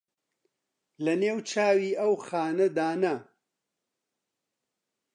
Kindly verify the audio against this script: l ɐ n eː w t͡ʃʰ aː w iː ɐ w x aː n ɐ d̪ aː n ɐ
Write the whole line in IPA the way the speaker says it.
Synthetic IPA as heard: l ɐ n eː w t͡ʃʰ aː w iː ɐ w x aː n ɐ d̪ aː n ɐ